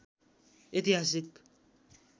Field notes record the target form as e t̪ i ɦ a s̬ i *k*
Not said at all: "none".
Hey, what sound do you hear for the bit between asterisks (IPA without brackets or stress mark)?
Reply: k